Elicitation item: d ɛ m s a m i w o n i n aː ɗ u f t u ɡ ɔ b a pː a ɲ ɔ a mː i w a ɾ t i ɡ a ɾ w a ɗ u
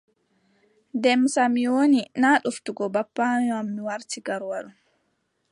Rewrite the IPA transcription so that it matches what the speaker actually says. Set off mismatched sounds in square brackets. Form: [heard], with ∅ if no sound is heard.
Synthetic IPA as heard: d ɛ m s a m i w o n i n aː ɗ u f t u ɡ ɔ b a pː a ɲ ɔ a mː i w a ɾ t i ɡ a ɾ w a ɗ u

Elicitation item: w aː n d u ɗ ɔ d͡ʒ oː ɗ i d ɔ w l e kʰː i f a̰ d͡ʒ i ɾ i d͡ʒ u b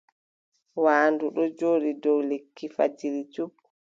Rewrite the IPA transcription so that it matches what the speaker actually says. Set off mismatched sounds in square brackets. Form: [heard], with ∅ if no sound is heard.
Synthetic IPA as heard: w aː n d u ɗ ɔ d͡ʒ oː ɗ i d ɔ w l e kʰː i f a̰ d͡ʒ i ɾ i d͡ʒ u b

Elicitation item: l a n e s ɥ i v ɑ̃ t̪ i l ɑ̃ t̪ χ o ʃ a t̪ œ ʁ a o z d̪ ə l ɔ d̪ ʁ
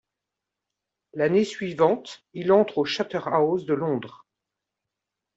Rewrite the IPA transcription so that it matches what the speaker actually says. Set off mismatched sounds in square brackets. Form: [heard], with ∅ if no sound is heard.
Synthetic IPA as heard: l a n e s ɥ i v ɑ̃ t̪ i l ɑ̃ t̪ χ o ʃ a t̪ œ ʁ a o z d̪ ə l [ɔ̃] d̪ ʁ

